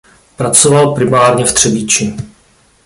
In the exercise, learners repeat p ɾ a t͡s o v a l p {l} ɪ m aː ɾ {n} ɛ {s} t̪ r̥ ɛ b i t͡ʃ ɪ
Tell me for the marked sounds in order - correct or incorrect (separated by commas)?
incorrect, incorrect, incorrect